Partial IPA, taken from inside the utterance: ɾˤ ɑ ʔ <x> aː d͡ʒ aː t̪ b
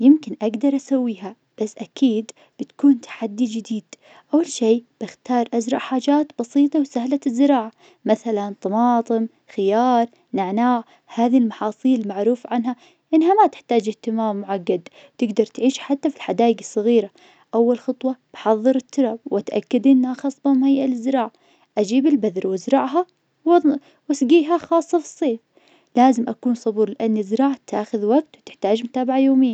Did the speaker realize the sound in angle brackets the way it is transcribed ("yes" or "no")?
no